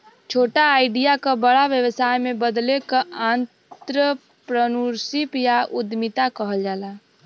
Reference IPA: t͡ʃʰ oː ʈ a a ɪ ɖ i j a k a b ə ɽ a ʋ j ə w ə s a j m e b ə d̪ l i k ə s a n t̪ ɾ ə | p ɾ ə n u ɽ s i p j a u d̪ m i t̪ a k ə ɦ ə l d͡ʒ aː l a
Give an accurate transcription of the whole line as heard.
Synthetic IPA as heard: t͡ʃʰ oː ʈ a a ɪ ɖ i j a k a b ə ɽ a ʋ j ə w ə s a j m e b ə d̪ l e k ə a n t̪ ɾ ə | p ɾ ə n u ɾ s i p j a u d̪ m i t̪ a k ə ɦ ə l d͡ʒ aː l a